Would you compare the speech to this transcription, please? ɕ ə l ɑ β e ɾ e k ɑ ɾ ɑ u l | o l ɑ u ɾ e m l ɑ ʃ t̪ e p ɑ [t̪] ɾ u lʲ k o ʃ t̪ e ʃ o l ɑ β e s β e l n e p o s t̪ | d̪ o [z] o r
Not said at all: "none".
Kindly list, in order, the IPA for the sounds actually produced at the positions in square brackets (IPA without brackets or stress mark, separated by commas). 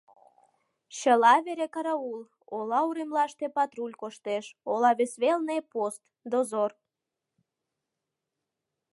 t̪, z